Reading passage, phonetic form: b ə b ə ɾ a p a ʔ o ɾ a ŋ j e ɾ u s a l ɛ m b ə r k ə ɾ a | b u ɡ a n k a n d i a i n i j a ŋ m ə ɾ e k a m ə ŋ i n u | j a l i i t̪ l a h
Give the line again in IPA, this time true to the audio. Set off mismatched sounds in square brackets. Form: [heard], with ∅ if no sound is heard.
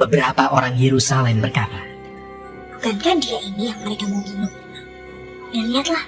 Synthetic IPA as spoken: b ə b ə ɾ a p a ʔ o ɾ a ŋ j e ɾ u s a l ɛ m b ə r k [a] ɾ a | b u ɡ a n k a n d i a i n i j a ŋ m ə ɾ e k a m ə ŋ i n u | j a l i [a] t̪ l a h